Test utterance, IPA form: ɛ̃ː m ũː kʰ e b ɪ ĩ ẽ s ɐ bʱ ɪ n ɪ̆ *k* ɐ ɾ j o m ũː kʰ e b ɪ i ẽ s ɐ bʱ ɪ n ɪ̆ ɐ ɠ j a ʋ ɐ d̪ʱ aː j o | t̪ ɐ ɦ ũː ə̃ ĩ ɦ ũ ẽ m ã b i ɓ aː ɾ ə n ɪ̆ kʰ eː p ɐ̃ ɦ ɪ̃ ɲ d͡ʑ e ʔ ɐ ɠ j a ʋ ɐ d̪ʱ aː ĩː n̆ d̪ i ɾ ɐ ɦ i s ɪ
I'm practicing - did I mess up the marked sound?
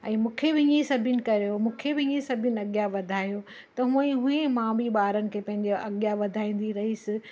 no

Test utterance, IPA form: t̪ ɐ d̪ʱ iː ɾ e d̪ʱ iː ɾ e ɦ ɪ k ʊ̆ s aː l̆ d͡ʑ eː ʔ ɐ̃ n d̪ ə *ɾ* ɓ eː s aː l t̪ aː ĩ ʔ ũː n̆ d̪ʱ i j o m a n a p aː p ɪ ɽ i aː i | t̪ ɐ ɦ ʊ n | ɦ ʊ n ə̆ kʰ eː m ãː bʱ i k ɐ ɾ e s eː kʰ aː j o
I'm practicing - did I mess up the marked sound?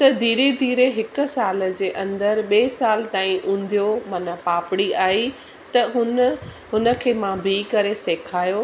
no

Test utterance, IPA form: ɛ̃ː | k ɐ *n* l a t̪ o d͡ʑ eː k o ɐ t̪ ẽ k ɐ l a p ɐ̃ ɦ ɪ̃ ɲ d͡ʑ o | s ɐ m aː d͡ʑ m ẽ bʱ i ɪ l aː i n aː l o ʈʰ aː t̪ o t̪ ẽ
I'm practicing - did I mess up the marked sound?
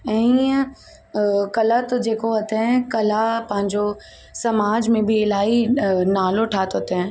yes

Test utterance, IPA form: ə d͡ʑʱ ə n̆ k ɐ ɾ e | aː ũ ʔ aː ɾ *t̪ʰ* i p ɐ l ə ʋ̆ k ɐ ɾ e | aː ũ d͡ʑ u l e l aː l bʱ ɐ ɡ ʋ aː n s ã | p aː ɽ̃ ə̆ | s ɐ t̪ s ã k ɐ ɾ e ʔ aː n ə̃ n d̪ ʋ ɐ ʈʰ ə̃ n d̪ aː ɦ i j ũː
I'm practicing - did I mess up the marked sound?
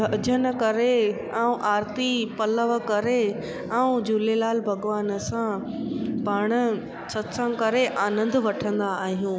yes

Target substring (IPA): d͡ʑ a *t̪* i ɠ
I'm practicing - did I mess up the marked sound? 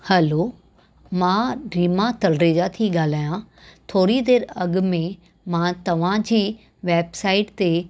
yes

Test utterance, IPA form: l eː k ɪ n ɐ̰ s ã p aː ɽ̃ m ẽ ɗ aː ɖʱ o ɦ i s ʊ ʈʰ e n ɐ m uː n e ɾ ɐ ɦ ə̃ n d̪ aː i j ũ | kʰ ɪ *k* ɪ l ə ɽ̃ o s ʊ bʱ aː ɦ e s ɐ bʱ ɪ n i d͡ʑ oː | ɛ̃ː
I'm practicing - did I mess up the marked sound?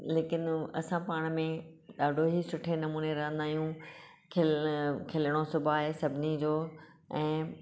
yes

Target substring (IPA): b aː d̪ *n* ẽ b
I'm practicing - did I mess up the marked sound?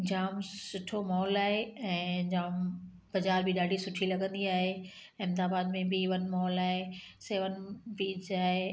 yes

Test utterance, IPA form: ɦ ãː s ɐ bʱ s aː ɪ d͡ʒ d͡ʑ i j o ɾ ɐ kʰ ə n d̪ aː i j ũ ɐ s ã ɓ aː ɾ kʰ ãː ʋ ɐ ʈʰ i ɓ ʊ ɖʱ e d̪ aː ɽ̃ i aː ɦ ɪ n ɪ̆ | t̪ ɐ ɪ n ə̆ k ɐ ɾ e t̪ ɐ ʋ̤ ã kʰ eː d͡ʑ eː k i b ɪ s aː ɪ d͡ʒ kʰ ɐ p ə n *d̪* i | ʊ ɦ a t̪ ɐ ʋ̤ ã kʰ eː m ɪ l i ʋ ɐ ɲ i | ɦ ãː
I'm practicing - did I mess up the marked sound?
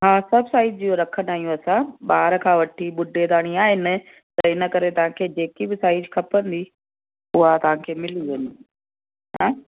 no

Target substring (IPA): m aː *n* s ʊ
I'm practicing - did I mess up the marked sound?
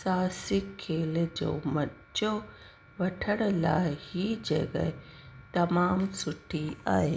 yes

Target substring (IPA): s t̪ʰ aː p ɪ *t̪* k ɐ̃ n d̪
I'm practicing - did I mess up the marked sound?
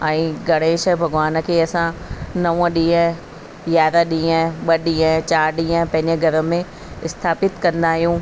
no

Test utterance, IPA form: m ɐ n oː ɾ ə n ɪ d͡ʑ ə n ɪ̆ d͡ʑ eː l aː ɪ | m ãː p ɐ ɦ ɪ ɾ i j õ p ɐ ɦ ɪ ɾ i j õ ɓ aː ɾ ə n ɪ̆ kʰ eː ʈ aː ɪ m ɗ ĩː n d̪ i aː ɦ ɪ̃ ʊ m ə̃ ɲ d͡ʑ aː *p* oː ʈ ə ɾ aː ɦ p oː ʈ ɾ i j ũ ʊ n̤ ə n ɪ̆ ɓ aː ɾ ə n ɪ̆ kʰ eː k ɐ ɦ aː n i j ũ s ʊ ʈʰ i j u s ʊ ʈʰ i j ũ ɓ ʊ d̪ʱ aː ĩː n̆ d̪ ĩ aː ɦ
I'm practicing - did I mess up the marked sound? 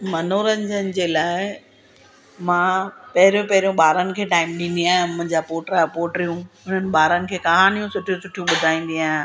no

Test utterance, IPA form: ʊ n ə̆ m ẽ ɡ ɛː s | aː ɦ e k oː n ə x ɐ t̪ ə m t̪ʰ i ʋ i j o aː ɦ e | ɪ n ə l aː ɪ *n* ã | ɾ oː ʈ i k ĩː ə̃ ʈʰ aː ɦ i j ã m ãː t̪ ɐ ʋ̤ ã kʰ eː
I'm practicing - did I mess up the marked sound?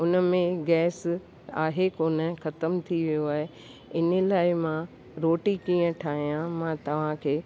yes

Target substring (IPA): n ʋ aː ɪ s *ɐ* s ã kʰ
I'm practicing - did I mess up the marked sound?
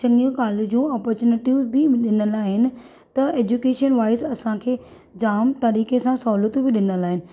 no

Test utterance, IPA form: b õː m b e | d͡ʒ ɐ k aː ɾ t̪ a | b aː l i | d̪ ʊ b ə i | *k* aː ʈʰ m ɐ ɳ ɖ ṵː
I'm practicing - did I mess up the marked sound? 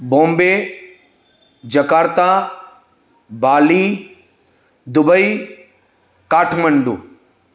no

